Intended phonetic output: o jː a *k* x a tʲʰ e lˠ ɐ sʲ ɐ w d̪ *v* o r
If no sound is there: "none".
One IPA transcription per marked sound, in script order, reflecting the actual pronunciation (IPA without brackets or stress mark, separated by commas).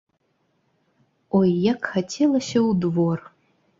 k, v